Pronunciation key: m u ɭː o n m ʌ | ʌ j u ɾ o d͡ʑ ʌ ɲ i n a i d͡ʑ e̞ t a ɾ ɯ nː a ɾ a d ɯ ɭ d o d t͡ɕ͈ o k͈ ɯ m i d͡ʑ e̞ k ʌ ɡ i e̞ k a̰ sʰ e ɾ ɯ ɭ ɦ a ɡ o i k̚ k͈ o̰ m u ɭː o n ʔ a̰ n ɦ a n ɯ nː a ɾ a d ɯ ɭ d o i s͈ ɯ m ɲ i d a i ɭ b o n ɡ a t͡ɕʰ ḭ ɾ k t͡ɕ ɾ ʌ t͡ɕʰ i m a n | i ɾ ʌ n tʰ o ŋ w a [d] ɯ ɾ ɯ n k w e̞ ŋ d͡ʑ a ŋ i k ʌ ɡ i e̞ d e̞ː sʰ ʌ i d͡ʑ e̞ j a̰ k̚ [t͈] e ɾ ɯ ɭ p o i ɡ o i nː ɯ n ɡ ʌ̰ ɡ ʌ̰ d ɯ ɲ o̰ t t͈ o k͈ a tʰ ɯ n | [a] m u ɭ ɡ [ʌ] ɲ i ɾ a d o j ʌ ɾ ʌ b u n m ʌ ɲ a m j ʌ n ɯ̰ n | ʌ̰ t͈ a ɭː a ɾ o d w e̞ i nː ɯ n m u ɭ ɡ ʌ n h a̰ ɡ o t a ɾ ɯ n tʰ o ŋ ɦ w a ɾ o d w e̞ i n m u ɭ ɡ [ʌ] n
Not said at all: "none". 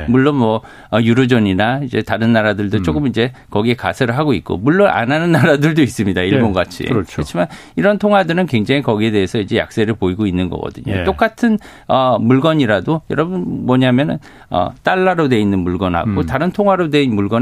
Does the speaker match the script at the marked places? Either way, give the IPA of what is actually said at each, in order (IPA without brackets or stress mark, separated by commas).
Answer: d, s͈, ʌ, ʌ, ʌ